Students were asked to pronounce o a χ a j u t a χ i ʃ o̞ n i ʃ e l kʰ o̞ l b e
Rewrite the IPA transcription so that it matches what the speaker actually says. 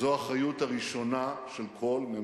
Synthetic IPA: o a χ a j u t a ʁ i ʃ o̞ n a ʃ e l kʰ o̞ l m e